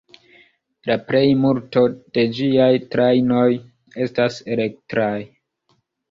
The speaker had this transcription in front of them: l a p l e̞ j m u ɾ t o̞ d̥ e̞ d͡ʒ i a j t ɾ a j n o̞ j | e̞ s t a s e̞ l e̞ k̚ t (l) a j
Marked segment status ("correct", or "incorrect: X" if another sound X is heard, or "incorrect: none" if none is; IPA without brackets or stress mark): incorrect: ɾ